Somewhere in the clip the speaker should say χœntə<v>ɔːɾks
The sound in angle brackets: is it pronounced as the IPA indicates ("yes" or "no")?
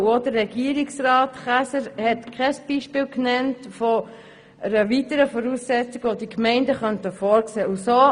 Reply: no